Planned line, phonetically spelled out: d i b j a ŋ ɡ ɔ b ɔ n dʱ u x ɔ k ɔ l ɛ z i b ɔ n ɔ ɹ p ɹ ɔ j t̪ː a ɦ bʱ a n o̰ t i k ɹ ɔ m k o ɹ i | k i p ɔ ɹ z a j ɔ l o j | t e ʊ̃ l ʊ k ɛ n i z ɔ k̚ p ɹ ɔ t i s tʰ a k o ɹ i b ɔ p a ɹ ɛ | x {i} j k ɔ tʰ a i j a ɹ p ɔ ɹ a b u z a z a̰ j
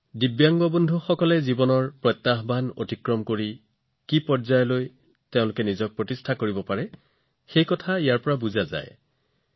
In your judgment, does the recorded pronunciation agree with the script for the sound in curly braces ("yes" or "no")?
no